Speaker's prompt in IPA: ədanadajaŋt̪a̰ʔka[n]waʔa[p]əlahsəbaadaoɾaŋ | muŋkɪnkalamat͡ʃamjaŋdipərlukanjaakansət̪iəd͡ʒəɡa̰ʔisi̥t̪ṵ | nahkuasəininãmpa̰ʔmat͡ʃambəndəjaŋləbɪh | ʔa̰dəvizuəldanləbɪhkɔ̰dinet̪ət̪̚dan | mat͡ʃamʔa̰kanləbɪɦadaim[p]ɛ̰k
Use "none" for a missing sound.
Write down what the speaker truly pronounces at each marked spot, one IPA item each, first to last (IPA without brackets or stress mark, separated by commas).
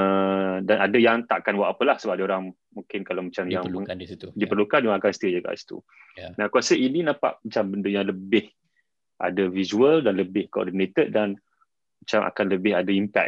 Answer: n, p, p